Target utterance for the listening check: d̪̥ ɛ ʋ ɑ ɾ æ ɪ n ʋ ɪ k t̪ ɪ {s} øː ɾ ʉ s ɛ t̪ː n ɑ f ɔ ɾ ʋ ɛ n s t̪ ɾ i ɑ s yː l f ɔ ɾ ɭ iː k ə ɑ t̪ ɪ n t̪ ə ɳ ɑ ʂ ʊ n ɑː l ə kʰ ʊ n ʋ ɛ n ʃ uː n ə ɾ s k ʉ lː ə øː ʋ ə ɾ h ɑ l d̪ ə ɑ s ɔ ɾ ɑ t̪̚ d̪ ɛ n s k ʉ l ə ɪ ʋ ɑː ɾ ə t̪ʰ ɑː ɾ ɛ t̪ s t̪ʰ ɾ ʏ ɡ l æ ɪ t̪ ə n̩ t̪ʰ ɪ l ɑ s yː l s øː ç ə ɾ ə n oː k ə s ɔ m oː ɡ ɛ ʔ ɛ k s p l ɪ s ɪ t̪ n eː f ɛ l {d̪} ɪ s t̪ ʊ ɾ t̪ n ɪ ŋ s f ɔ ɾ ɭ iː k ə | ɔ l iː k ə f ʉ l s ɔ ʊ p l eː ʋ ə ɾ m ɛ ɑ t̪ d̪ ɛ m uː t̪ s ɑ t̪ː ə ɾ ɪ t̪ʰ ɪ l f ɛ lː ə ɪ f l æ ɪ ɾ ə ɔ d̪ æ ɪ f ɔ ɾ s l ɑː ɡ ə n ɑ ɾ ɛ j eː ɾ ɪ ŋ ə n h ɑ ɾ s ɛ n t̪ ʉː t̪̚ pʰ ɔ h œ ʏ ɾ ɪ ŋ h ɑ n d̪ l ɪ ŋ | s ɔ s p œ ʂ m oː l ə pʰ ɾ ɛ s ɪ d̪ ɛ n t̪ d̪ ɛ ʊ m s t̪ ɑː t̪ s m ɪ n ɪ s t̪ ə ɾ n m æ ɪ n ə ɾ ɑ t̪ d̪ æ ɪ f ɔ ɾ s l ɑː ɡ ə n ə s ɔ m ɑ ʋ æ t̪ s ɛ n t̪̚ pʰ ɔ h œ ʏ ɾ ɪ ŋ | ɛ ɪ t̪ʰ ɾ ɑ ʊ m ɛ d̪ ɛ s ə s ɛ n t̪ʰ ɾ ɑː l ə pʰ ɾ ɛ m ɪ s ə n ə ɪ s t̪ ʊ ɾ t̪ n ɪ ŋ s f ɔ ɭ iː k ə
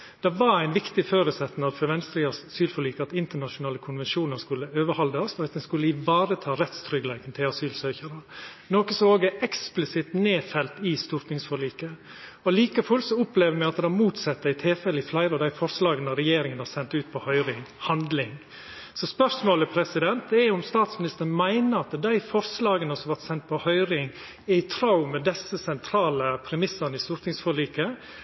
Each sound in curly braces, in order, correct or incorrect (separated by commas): incorrect, incorrect